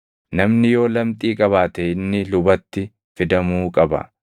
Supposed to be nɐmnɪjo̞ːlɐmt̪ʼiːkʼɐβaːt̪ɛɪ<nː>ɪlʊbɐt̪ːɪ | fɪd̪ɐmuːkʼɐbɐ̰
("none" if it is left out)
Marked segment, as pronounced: nː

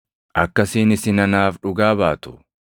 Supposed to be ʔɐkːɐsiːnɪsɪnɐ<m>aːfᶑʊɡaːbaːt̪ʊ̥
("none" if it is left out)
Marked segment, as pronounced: n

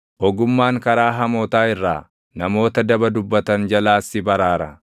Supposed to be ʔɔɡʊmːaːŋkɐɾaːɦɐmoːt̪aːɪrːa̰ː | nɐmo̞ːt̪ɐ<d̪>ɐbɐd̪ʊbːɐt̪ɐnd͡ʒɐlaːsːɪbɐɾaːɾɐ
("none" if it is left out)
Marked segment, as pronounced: d̪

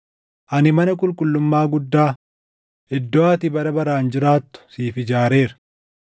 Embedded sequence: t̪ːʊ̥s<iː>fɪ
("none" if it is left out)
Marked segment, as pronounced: iː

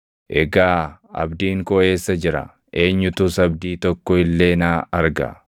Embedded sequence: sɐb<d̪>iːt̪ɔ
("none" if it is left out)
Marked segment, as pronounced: d̪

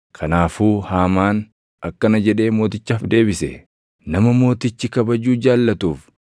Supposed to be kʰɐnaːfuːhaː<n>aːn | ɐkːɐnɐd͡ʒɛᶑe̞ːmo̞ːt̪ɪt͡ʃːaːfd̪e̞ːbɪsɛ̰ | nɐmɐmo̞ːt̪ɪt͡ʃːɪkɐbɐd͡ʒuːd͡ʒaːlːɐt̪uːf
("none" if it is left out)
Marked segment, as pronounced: m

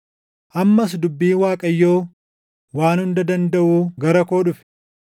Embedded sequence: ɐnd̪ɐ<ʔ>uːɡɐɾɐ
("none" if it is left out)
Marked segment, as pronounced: ʔ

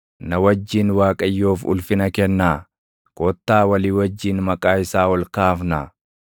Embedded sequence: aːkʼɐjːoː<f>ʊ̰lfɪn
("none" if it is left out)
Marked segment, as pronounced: f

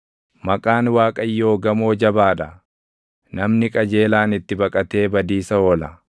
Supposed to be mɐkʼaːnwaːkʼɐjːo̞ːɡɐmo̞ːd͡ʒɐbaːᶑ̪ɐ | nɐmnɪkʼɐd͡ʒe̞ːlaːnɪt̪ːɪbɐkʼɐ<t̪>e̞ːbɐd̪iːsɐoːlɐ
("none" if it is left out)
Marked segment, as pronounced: t̪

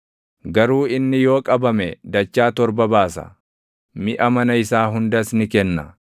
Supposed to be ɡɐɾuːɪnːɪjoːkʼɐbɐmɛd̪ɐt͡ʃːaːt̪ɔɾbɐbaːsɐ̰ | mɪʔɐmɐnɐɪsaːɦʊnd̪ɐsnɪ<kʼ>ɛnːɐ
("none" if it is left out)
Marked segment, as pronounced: k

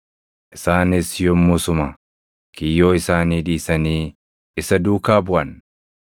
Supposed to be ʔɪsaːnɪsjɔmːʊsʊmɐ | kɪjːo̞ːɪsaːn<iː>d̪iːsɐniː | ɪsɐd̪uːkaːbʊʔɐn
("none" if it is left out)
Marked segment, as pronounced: iː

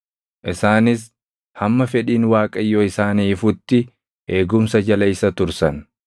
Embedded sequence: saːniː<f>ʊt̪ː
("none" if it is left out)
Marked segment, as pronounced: f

